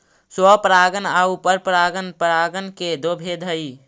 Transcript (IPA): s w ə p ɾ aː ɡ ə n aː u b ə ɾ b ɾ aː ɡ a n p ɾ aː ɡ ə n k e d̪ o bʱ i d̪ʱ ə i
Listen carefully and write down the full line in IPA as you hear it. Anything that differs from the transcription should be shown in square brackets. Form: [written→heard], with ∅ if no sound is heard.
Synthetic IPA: s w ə p ɾ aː ɡ ə n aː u [b→p] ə ɾ [b→p] ɾ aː ɡ [a→ə] n p ɾ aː ɡ ə n k e d̪ o bʱ [i→e] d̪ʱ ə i